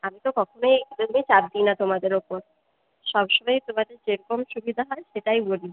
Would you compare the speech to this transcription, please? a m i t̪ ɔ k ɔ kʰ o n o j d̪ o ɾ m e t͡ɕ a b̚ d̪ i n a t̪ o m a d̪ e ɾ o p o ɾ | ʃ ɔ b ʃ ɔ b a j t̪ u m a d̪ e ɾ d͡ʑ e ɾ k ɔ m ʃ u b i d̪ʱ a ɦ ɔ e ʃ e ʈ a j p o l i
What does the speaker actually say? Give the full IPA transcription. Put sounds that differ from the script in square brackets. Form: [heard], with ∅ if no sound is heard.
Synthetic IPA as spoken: a m i t̪ [o] k ɔ kʰ o n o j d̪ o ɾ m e t͡ɕ a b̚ d̪ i n a t̪ o m a d̪ e ɾ o p o ɾ | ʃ ɔ b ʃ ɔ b a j t̪ [o] m a d̪ e ɾ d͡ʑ e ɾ k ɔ m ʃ u b i d̪ʱ a ɦ ɔ e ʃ e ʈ a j [b] o l i